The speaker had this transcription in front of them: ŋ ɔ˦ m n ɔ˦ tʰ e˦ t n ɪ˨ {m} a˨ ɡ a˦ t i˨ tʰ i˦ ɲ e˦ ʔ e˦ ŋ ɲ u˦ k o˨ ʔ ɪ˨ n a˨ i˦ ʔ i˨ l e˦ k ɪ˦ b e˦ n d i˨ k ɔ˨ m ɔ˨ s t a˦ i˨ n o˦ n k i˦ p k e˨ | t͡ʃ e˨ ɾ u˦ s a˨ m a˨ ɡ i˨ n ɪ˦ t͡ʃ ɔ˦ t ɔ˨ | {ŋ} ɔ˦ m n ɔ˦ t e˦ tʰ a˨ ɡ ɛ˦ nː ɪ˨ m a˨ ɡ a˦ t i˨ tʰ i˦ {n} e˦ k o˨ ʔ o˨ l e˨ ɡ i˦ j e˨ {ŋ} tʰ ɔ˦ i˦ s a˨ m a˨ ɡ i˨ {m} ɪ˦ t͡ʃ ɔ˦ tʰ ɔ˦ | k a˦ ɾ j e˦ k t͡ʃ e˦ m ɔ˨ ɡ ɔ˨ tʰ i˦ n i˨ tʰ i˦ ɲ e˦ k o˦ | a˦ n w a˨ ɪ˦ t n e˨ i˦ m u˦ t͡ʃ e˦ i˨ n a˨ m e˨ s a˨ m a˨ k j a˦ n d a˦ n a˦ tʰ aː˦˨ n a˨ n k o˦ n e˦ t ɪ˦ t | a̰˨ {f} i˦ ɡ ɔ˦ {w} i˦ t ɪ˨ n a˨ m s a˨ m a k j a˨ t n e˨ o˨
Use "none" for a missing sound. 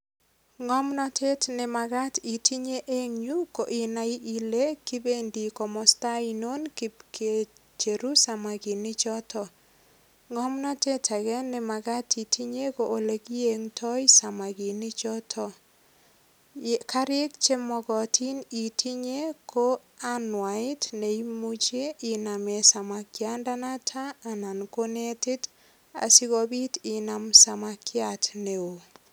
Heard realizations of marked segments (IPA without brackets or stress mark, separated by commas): m, ŋ, ɲ, ŋ, n, s, b